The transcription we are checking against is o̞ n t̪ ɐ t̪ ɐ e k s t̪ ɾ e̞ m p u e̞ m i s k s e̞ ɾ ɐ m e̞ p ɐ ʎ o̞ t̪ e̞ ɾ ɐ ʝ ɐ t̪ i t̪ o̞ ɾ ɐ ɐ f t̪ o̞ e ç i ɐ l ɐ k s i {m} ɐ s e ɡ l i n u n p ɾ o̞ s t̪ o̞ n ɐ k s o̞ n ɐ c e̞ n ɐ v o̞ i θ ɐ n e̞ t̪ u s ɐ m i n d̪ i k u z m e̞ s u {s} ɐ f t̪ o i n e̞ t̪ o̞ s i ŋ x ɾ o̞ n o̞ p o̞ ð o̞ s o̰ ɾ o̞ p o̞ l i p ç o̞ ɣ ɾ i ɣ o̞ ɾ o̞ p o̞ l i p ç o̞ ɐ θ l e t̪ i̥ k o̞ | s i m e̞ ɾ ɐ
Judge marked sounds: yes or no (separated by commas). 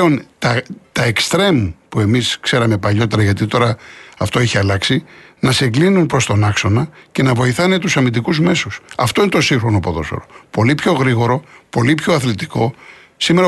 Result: no, yes